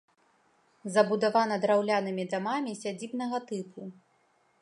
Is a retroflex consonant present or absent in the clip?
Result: absent